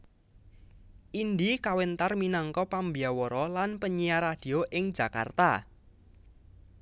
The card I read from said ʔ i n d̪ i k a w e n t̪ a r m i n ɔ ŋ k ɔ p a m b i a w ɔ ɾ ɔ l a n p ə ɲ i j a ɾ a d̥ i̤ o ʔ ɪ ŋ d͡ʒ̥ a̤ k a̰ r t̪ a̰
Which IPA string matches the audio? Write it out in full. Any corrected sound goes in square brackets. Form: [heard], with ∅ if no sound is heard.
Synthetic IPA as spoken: ʔ i n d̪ i k a w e n t̪ a r m i n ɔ ŋ k ɔ p a m b i a w ɔ ɾ ɔ l a n p ə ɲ i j a ɾ a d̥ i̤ o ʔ ɪ ŋ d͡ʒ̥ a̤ k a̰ r t̪ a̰